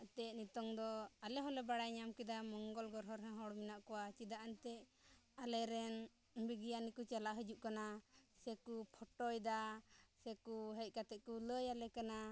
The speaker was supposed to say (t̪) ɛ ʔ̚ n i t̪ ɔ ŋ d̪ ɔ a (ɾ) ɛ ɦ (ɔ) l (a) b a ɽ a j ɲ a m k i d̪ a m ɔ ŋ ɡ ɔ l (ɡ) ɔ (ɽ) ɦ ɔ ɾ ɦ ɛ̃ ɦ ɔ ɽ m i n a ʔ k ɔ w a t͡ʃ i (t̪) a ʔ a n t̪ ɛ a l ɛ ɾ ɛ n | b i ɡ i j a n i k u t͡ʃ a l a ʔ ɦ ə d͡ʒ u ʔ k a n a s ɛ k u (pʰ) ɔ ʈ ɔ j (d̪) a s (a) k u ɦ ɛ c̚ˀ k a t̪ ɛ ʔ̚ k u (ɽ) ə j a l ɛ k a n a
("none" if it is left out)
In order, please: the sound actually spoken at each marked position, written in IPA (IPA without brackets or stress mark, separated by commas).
t̪, l, ɔ, ɛ, ɡ, ɾ, d̪, pʰ, d̪, ɛ, l